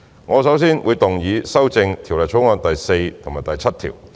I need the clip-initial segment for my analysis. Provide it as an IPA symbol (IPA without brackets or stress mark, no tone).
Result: ŋ